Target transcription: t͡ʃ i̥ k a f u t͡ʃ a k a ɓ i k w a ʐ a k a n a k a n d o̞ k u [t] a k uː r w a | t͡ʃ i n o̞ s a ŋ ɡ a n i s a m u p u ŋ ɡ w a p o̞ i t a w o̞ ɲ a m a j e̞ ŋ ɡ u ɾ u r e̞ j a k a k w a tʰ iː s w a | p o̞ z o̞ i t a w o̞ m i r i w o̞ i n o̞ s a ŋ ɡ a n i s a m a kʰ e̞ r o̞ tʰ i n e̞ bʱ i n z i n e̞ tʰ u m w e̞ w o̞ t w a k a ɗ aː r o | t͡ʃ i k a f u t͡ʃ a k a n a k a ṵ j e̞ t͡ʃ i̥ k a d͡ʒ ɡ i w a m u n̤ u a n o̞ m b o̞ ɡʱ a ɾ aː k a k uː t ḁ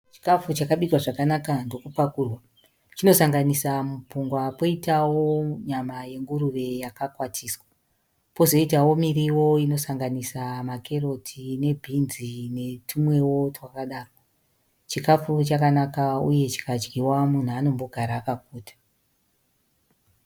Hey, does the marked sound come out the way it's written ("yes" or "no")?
no